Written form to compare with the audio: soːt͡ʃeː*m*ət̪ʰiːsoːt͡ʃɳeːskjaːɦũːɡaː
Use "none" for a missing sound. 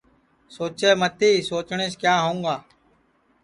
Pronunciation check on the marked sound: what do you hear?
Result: m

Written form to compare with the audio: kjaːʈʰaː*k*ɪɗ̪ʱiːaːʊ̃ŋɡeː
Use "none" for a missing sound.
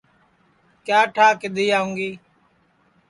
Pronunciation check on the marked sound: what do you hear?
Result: k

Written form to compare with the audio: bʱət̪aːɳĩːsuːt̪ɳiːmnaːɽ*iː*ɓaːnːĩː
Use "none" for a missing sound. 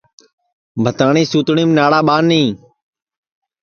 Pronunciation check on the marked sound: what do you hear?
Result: aː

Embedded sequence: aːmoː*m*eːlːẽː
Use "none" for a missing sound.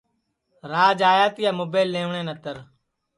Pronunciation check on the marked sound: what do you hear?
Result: b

